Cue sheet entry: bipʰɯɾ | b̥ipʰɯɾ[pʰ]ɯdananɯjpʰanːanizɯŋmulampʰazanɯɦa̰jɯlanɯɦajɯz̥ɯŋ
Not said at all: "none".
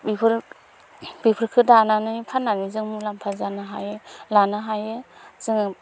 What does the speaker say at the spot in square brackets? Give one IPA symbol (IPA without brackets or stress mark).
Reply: kʰ